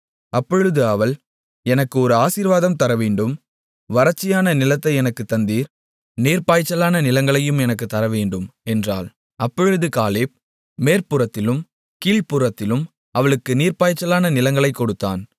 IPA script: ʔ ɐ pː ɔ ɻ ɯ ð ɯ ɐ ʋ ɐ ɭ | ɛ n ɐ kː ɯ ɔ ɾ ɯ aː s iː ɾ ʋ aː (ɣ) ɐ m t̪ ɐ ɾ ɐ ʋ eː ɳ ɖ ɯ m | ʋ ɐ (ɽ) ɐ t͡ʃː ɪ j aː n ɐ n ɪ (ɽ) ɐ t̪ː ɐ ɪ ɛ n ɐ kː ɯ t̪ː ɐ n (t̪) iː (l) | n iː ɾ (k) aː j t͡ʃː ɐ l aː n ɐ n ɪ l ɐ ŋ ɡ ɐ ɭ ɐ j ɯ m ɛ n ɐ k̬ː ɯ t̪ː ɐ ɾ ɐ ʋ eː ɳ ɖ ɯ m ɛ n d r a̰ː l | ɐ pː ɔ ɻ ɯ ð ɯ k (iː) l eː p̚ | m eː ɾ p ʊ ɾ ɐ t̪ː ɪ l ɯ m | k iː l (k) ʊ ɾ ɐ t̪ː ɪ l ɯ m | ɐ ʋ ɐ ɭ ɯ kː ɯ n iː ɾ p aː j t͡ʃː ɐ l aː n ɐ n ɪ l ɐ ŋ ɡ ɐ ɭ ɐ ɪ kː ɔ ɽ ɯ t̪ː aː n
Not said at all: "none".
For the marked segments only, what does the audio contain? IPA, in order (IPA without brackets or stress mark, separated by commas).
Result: ð, ɾ, l, d̪, ɾ, p, aː, p